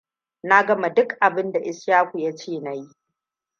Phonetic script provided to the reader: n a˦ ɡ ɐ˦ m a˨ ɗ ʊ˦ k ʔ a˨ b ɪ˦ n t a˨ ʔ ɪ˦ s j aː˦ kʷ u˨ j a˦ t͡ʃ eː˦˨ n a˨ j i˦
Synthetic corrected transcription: n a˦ ɡ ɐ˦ m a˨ d ʊ˦ k ʔ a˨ b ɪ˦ n d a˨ ʔ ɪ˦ s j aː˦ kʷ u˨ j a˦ t͡ʃ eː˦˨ n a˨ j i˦